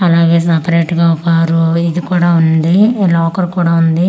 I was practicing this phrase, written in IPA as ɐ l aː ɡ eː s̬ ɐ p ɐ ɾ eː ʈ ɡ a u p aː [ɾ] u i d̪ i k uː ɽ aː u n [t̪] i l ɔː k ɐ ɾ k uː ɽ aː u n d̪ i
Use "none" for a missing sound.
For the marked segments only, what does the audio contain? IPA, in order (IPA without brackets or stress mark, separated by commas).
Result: ɾ, d̪